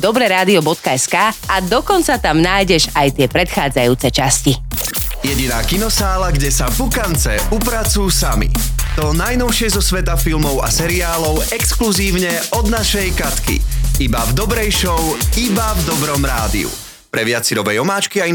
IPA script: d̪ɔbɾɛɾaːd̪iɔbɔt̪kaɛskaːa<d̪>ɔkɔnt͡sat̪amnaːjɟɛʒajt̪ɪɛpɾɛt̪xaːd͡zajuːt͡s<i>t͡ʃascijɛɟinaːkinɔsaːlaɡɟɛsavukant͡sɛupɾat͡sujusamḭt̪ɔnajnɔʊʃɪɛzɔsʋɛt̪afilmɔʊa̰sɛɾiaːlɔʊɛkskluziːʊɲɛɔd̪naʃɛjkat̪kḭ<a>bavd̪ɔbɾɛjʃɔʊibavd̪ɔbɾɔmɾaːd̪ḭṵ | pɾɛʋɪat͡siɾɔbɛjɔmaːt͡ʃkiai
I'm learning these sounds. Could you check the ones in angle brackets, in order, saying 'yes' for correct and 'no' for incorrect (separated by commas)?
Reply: yes, no, no